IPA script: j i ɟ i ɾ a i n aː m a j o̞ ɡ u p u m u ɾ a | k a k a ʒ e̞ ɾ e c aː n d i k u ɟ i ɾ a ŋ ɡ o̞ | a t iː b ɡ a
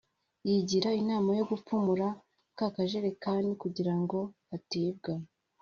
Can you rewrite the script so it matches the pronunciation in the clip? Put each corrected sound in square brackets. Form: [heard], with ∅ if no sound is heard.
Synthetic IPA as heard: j i ɟ i ɾ a i n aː m a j o̞ ɡ u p u m u ɾ a | k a k a ʒ e̞ ɾ e [k] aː n d i k u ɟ i ɾ a ŋ ɡ o̞ | a t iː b ɡ a